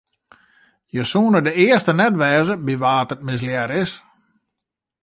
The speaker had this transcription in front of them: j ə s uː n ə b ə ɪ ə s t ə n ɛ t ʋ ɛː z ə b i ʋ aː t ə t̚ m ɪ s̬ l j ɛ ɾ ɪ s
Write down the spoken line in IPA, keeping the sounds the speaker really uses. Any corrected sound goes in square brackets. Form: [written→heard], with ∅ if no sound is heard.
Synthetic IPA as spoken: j ə s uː n ə [b→d] ə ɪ ə s t ə n ɛ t ʋ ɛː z ə b i ʋ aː t ə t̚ m ɪ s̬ l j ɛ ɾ ɪ s